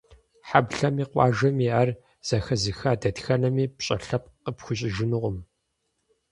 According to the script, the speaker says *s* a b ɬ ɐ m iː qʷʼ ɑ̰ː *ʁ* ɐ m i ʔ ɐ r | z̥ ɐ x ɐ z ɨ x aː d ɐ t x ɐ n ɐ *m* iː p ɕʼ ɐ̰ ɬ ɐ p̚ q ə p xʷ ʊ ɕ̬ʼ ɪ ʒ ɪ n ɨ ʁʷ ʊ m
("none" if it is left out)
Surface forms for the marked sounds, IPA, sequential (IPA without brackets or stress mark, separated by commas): ħ, ʒ, m